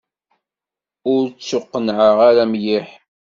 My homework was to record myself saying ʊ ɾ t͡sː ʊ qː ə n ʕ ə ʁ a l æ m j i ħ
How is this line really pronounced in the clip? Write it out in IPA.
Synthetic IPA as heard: ʊ ɾ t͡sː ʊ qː ə n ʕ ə ʁ a ɾ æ m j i ħ